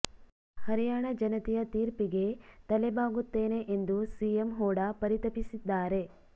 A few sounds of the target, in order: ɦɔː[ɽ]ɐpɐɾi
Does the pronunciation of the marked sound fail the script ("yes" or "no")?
no